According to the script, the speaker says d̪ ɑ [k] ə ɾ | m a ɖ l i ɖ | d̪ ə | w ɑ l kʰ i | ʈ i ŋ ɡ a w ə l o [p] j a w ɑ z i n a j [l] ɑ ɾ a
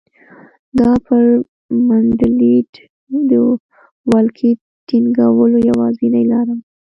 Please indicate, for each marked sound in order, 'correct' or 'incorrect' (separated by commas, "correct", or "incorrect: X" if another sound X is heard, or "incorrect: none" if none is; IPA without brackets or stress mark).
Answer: incorrect: p, incorrect: none, correct